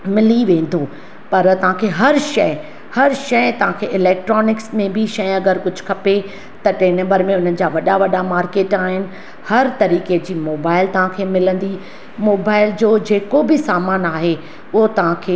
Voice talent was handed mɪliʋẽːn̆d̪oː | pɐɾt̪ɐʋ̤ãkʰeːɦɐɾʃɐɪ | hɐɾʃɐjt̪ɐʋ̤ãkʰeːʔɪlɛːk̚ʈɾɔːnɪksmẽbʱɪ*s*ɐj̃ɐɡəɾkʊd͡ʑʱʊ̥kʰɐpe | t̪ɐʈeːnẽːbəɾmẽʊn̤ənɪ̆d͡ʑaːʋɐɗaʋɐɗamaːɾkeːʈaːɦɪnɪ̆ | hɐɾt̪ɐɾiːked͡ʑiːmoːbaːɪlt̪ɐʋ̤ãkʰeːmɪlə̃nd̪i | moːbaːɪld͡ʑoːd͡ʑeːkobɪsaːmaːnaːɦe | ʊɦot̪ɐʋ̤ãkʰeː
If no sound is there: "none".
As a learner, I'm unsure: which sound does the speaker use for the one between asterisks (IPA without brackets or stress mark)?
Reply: ʃ